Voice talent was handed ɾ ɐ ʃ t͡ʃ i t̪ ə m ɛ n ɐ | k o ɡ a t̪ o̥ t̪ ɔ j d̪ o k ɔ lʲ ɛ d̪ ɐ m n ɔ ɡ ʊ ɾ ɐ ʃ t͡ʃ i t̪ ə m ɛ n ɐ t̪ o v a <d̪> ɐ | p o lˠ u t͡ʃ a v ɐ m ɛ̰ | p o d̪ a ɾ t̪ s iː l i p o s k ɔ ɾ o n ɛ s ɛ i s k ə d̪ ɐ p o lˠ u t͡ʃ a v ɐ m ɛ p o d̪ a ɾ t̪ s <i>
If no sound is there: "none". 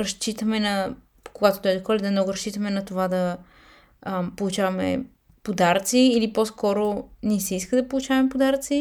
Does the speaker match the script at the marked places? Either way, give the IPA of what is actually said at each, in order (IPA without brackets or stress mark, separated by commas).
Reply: d̪, i